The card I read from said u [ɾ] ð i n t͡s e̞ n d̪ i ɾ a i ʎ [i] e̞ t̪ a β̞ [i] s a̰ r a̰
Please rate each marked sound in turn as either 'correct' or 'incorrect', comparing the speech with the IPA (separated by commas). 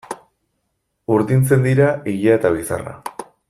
correct, incorrect, correct